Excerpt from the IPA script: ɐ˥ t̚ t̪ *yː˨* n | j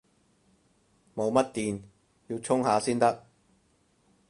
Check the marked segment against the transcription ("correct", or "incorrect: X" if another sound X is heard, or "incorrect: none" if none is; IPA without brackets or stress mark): incorrect: iː˨